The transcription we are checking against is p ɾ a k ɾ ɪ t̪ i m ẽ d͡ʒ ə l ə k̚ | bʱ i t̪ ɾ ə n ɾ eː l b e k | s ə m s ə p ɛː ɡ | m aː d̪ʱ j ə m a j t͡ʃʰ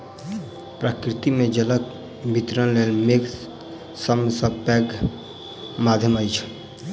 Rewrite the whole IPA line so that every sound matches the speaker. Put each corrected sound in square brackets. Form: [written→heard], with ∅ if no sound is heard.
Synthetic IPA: p ɾ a k ɾ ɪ t̪ i m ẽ d͡ʒ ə l ə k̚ | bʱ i t̪ ɾ ə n [ɾ→l] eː l [b→m] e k | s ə m s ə p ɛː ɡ | m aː d̪ʱ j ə m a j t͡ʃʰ